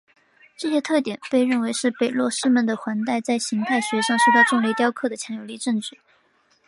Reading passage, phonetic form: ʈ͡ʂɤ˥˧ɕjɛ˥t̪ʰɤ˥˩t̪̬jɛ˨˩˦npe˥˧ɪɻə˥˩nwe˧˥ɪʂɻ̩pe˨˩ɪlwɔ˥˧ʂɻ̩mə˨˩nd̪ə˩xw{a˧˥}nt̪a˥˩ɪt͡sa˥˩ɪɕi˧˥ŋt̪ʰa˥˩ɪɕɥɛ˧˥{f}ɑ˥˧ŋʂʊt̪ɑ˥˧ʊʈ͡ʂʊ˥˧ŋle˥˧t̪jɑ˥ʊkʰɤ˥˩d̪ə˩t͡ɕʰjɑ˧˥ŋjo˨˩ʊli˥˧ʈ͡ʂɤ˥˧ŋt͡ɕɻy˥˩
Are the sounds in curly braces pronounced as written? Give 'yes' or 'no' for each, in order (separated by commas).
yes, no